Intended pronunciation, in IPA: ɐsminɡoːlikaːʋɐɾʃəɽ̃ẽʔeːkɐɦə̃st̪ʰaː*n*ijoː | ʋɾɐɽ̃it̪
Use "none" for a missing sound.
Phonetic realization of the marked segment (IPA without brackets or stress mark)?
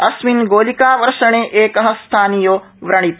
n